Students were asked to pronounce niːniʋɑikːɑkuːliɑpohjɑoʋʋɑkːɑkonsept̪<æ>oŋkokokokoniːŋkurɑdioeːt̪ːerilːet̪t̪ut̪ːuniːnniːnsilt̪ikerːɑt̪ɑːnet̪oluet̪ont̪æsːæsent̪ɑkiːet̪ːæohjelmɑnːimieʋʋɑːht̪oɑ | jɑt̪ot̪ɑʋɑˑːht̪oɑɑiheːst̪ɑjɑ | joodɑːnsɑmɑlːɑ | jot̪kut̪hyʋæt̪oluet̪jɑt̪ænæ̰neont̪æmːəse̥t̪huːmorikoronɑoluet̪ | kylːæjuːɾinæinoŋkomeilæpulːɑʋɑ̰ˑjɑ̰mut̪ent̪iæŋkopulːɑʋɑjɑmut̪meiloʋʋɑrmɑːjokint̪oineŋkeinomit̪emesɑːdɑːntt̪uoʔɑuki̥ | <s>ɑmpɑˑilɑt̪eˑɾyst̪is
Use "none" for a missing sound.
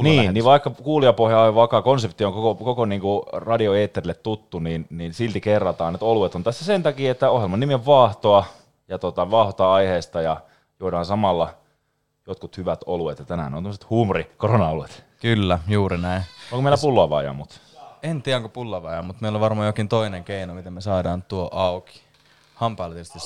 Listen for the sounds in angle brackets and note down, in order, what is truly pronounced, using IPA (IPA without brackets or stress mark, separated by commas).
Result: i, h